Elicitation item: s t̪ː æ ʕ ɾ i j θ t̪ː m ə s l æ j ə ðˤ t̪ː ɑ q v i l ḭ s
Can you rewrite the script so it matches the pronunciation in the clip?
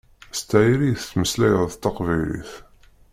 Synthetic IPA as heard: s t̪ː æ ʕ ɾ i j θ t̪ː m ə s l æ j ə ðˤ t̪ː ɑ q v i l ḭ θ